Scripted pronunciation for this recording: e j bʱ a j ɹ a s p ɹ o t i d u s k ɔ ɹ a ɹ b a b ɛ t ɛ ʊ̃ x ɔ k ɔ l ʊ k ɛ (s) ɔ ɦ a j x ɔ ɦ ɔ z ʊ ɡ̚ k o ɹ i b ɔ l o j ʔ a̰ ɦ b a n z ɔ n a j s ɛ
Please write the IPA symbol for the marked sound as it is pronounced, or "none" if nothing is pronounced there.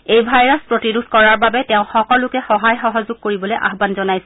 x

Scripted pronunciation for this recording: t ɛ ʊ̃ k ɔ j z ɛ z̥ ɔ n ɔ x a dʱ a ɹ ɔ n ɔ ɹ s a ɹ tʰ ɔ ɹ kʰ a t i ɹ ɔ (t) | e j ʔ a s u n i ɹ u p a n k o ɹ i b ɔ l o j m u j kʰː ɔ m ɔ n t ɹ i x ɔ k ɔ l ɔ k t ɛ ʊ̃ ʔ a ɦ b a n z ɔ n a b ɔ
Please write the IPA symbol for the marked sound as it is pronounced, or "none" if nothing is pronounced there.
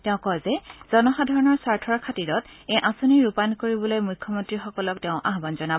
t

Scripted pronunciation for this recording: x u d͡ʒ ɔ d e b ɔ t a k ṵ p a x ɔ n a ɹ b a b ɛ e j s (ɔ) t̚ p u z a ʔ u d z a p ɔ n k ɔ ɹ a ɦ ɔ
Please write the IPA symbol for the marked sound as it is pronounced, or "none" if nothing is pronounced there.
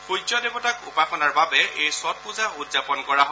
ɔ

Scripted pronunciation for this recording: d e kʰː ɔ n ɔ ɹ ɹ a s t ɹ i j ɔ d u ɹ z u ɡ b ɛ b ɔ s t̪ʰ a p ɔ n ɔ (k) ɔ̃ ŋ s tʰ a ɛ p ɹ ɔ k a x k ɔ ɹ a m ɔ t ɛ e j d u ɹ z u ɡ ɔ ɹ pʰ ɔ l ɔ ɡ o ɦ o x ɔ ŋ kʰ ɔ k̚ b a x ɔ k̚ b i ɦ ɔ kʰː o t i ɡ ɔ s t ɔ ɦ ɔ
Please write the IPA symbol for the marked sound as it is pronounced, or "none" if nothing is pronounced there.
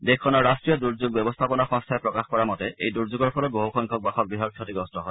x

